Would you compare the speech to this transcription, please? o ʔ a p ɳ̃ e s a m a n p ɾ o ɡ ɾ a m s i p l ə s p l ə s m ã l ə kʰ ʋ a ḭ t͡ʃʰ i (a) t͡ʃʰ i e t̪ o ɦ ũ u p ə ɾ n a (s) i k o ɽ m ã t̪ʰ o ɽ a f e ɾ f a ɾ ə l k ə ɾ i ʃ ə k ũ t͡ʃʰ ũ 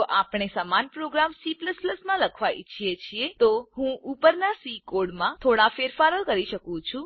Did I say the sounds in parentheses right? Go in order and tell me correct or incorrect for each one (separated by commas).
incorrect, correct